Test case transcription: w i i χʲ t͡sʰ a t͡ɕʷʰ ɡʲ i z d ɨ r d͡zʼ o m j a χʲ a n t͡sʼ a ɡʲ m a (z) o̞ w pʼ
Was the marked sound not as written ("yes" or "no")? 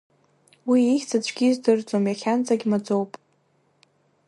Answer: yes